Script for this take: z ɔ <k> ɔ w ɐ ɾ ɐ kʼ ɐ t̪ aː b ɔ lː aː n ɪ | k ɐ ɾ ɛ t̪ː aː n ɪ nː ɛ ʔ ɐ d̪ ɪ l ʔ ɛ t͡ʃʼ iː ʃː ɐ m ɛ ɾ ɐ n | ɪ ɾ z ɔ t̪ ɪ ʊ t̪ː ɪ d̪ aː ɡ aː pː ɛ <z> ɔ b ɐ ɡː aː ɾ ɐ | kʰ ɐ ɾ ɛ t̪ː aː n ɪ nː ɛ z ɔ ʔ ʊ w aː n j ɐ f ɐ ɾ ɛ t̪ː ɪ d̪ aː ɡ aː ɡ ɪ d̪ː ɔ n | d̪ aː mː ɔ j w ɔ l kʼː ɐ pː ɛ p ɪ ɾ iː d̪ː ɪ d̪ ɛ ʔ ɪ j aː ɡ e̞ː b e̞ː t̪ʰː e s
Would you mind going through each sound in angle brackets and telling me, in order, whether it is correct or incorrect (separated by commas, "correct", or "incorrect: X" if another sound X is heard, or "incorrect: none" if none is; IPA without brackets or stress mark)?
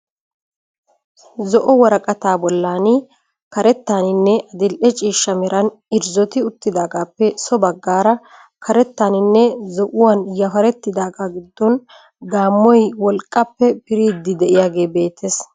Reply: incorrect: ʔ, incorrect: s